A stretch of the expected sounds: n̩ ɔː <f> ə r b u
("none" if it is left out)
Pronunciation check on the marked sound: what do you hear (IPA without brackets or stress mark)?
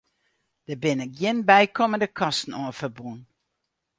f